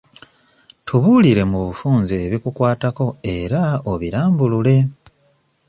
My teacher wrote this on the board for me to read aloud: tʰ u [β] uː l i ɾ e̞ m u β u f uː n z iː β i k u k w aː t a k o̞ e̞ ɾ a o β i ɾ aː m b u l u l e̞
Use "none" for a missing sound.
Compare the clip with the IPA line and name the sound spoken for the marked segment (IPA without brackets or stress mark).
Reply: β